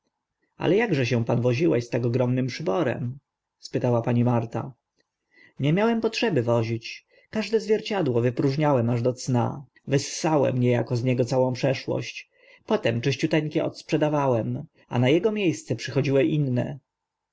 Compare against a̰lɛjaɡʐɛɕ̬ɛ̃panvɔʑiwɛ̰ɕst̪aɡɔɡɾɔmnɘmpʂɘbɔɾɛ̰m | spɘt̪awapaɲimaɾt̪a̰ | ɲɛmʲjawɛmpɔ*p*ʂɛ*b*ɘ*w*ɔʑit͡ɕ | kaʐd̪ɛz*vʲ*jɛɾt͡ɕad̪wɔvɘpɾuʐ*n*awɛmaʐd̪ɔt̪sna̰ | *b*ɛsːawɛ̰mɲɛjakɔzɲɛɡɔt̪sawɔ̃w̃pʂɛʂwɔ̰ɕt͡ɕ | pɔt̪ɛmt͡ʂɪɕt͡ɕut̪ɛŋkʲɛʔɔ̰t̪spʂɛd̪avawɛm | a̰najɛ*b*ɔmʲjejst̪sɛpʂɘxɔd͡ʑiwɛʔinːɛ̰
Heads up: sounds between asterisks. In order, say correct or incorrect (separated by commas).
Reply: incorrect, correct, incorrect, correct, incorrect, incorrect, incorrect